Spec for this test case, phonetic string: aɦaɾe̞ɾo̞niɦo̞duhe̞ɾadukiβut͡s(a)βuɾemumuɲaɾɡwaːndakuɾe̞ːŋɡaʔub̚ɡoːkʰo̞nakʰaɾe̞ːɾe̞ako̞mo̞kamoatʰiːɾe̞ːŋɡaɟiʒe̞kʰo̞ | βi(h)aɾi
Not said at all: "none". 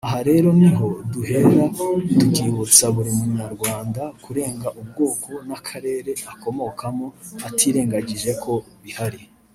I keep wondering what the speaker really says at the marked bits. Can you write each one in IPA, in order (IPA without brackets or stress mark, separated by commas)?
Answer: a, h